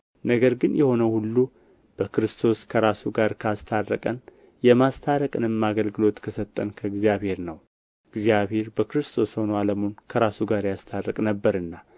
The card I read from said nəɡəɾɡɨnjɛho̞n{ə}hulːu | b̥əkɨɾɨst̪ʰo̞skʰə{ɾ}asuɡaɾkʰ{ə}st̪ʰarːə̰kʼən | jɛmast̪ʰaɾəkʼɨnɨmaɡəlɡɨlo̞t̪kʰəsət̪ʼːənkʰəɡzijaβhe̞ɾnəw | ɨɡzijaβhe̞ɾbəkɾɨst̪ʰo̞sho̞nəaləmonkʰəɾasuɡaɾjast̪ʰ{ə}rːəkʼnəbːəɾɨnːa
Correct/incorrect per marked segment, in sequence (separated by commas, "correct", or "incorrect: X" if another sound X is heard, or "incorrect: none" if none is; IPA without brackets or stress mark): correct, correct, incorrect: a, incorrect: a